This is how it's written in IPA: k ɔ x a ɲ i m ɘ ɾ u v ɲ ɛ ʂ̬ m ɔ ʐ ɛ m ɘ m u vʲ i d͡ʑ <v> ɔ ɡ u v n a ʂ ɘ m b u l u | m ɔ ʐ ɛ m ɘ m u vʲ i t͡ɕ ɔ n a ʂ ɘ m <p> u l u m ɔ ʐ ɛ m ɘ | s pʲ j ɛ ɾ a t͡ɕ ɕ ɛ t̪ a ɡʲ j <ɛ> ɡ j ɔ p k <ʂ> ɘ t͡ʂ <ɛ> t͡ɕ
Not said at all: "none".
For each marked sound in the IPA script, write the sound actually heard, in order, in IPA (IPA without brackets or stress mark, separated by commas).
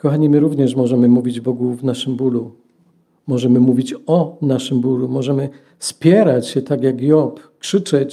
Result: b, b, a, ʂ, ɛ